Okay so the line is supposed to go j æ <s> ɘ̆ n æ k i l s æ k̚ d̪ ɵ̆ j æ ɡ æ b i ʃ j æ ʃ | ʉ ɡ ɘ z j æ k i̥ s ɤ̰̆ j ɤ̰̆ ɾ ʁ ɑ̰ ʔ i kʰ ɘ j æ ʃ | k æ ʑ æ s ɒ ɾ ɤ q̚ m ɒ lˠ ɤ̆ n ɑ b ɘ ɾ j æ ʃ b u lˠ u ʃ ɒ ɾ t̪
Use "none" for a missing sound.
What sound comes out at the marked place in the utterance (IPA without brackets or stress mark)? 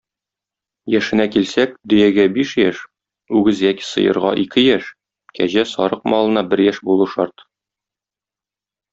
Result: ʃ